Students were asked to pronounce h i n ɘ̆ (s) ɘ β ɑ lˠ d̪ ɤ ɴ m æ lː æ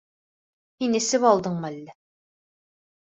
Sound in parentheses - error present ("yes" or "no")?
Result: no